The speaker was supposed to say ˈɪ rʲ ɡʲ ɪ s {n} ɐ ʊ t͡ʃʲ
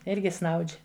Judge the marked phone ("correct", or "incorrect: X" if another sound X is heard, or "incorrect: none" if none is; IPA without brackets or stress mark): correct